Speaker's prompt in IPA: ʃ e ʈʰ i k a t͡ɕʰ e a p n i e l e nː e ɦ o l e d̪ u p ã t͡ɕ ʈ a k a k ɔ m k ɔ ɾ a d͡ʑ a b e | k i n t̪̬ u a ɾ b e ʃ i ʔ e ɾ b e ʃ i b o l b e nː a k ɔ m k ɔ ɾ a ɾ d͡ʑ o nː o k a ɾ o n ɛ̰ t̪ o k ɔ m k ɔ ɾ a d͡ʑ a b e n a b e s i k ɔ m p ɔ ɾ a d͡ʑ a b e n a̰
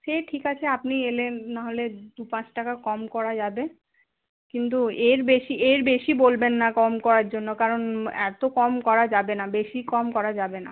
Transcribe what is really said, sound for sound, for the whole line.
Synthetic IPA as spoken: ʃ e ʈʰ i k a t͡ɕʰ e a p n i e l e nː a ɦ o l e d̪ u p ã t͡ɕ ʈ a k a k ɔ m k ɔ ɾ a d͡ʑ a b e | k i n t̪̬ u e ɾ b e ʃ i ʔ e ɾ b e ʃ i b o l b e nː a k ɔ m k ɔ ɾ a ɾ d͡ʑ o nː o k a ɾ o n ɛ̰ t̪ o k ɔ m k ɔ ɾ a d͡ʑ a b e n a b e ʃ i k ɔ m k ɔ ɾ a d͡ʑ a b e n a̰